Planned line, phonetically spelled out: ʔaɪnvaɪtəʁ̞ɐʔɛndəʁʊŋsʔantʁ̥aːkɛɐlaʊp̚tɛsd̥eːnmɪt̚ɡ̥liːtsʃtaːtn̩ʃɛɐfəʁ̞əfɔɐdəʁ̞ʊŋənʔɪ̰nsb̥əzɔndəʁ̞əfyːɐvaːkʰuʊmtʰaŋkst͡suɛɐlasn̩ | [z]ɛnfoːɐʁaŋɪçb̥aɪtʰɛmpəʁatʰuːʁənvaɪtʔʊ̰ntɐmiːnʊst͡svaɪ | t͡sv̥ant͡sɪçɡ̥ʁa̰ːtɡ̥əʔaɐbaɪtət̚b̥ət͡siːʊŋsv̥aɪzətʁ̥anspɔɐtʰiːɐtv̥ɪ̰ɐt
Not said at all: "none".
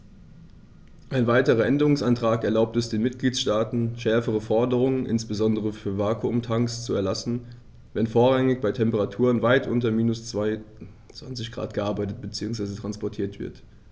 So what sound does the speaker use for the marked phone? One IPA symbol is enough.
v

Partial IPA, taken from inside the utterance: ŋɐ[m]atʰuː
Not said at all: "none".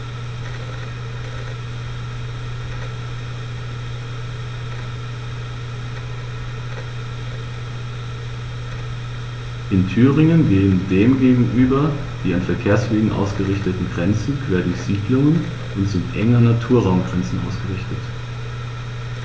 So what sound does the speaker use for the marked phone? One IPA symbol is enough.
n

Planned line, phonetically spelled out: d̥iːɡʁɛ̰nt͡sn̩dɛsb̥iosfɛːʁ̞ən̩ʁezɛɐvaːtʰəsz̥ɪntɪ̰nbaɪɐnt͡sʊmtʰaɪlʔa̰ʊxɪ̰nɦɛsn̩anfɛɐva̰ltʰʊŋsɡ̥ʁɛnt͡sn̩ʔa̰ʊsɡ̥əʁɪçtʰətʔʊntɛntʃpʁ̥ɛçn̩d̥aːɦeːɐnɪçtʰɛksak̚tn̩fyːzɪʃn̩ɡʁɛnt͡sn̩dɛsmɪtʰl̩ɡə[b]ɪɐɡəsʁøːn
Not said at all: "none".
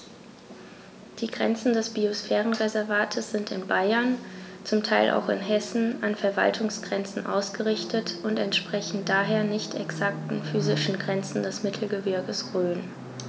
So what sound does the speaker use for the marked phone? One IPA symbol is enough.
v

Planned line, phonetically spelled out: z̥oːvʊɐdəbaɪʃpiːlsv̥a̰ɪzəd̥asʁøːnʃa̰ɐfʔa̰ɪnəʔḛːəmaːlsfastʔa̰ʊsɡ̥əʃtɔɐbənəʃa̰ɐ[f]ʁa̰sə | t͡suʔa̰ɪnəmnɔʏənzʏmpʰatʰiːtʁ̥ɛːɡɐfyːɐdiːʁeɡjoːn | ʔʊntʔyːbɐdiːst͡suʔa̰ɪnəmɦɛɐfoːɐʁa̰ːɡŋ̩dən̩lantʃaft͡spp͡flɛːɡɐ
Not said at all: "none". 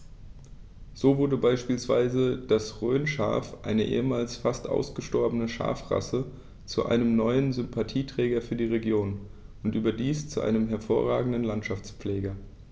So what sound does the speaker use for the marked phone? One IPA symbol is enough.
f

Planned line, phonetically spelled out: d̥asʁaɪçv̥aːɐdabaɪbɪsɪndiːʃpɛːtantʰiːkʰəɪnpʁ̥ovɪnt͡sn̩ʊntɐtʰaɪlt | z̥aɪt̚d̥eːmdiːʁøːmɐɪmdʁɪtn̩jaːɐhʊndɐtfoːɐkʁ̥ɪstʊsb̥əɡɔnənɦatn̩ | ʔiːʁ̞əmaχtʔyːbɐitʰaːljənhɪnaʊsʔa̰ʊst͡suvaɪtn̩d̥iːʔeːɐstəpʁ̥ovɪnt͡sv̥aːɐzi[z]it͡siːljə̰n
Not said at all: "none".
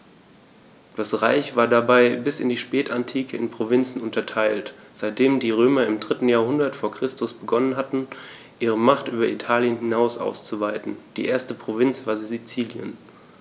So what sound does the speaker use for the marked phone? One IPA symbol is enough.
z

